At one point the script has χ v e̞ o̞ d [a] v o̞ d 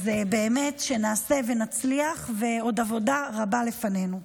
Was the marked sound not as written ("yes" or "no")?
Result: no